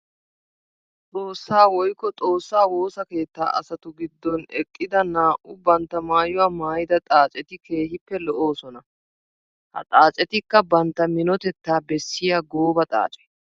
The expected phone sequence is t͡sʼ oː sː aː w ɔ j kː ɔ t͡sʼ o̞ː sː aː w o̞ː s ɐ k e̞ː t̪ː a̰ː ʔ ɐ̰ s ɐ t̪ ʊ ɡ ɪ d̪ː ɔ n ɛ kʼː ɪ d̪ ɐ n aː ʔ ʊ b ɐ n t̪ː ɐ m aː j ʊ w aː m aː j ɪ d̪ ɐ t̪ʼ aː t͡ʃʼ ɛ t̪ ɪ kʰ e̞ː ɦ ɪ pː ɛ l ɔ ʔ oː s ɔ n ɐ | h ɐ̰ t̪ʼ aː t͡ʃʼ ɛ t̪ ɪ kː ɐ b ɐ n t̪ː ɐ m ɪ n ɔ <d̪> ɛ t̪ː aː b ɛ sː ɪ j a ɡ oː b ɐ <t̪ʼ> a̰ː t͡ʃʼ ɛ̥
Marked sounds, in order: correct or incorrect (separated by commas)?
incorrect, correct